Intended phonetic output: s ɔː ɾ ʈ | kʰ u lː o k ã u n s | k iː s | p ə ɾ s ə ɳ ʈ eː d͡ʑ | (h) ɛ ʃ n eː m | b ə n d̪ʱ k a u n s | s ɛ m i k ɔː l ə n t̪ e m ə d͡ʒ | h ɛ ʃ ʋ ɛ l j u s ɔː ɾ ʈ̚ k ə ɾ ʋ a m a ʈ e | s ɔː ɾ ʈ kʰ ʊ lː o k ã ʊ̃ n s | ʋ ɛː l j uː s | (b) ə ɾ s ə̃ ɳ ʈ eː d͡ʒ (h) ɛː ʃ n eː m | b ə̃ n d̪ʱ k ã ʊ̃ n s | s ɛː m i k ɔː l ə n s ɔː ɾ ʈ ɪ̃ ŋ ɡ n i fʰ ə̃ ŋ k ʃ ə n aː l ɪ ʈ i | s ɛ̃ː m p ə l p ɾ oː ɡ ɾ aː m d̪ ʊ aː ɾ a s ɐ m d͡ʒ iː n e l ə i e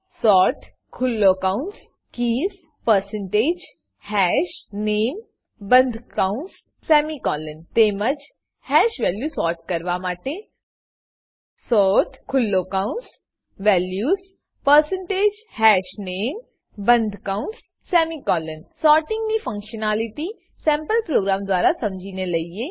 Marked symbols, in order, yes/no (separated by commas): yes, no, yes